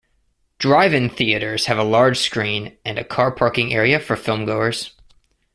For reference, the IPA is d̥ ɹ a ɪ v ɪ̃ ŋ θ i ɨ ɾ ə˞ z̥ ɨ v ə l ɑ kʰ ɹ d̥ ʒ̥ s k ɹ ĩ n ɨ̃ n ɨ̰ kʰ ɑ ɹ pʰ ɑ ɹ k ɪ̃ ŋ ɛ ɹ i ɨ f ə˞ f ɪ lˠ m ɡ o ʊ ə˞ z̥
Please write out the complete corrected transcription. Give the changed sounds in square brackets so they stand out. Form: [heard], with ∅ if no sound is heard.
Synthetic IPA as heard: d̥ ɹ a ɪ v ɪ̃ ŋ θ i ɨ ɾ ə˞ z̥ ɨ v ə l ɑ [∅] ɹ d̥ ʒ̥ s k ɹ ĩ n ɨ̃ n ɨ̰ kʰ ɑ ɹ pʰ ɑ ɹ k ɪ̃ ŋ ɛ ɹ i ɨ f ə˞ f ɪ lˠ m ɡ o ʊ ə˞ z̥